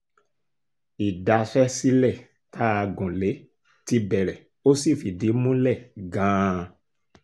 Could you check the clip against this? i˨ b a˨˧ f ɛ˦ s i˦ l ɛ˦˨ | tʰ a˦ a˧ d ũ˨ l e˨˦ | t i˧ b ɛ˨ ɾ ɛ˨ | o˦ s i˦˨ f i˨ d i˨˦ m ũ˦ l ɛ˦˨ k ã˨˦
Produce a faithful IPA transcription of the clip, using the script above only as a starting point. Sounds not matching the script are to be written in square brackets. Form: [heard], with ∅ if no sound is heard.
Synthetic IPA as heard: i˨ [d] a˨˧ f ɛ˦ s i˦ l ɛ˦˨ | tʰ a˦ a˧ [ɡ] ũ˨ l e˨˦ | t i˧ b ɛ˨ ɾ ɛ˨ | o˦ s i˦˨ f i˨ d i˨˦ m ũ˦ l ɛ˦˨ [ɡ] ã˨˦